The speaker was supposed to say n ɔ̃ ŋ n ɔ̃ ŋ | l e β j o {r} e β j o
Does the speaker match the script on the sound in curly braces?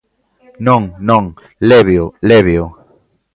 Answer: no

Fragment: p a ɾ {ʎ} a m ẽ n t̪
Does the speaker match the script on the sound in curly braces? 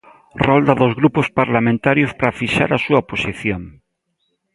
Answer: no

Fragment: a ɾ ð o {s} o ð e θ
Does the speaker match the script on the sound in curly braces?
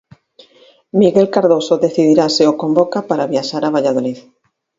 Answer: yes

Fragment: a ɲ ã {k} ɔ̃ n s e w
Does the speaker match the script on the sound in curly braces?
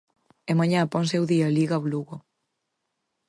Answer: no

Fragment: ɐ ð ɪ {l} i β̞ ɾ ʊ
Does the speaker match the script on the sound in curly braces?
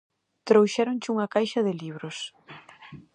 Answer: yes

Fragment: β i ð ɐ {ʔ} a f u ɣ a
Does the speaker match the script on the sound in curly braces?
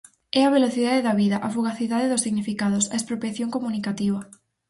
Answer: yes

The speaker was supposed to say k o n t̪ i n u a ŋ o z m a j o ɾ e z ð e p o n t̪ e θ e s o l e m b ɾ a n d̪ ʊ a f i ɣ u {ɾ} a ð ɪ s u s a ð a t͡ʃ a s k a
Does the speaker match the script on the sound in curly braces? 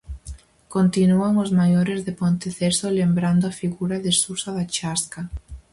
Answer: yes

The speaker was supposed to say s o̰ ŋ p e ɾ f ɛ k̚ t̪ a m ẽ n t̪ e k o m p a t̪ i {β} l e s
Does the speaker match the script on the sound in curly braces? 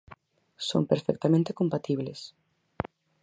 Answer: yes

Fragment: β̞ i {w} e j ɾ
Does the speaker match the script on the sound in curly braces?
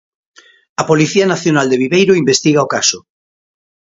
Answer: no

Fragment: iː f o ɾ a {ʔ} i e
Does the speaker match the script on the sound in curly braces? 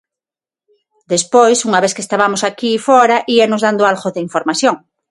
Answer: yes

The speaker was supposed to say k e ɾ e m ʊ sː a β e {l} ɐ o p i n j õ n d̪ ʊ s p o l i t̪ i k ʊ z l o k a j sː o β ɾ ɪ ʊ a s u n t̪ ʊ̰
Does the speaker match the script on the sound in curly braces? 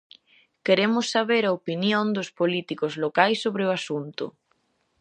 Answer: no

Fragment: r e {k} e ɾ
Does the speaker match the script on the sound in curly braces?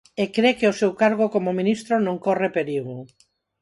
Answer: no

